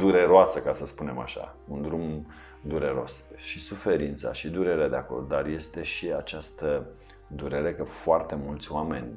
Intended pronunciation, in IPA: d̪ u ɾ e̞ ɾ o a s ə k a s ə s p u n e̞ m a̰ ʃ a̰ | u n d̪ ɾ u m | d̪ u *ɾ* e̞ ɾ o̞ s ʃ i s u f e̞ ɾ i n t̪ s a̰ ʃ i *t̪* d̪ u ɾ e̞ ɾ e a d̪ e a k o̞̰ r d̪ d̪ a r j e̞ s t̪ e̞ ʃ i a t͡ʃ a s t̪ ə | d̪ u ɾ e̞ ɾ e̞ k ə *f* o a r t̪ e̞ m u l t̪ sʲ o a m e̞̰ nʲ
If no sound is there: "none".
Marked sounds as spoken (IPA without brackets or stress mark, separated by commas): ɾ, none, f